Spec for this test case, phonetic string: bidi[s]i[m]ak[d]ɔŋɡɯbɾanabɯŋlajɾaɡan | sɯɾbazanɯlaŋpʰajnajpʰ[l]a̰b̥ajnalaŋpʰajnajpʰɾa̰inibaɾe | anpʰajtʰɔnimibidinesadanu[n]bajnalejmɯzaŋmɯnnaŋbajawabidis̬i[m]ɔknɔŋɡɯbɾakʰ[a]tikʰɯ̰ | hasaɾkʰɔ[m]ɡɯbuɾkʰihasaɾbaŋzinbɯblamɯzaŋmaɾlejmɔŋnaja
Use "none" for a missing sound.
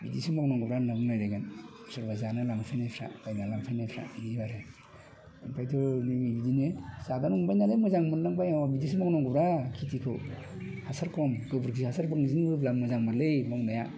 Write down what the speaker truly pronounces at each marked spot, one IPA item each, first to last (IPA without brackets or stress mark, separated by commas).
s, m, n, ɾ, ŋ, m, i, m